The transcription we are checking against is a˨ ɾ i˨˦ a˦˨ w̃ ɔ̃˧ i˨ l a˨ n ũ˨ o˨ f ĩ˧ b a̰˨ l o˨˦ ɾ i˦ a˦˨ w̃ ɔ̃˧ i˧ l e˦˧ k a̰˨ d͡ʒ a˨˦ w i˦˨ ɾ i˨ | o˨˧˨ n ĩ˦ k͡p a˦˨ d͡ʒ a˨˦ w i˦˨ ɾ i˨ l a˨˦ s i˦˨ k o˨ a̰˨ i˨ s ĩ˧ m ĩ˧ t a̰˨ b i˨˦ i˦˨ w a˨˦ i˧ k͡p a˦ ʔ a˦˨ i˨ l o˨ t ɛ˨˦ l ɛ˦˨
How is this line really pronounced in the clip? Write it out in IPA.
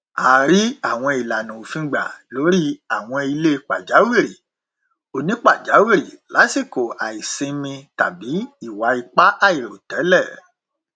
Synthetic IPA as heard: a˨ ɾ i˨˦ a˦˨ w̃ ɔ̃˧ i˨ l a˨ n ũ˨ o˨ f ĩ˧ ɡ͡b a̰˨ l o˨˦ ɾ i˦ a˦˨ w̃ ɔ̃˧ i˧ l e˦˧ k͡p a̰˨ d͡ʒ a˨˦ w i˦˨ ɾ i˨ | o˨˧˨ n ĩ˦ k͡p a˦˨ d͡ʒ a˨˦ w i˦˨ ɾ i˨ l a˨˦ s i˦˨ k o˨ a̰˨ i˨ s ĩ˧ m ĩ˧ t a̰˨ b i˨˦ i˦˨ w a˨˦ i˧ k͡p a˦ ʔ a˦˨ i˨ ɾ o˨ t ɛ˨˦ l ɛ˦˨